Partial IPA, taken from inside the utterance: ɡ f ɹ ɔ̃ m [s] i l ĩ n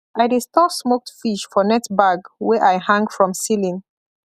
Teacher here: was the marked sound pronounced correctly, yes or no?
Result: yes